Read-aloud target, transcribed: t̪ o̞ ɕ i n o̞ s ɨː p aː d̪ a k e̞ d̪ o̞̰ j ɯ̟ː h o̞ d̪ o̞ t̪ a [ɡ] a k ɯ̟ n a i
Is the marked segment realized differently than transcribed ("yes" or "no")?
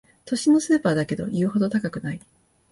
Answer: yes